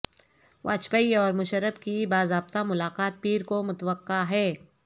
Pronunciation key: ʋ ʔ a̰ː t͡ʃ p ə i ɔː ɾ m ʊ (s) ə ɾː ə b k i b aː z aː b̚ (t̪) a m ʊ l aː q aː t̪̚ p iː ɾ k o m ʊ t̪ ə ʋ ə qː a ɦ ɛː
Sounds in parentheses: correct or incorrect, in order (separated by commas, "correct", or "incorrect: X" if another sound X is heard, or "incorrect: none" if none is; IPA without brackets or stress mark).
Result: incorrect: ʃ, correct